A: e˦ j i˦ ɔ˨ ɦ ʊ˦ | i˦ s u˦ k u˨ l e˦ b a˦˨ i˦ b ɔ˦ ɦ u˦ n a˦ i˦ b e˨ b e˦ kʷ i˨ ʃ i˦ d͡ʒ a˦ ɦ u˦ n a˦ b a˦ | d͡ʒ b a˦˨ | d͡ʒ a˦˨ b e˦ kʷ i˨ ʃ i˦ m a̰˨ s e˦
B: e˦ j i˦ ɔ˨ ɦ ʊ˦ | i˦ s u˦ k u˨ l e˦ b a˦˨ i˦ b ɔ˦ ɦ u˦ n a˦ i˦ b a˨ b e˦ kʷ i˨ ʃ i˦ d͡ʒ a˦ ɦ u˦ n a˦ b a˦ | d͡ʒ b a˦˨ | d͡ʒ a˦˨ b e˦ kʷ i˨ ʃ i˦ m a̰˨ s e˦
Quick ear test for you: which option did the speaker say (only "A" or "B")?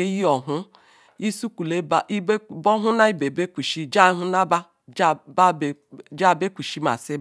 A